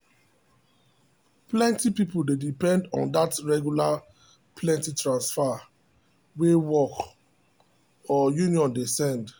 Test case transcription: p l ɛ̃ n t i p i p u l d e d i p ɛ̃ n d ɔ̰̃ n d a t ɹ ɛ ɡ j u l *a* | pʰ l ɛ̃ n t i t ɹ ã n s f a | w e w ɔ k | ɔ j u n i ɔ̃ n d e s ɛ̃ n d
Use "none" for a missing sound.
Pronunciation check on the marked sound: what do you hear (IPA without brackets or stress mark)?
a